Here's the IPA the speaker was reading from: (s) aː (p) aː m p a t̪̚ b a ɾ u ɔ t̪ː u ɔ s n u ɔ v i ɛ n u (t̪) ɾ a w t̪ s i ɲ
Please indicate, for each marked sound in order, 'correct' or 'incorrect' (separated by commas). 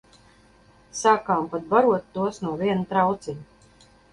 correct, incorrect, correct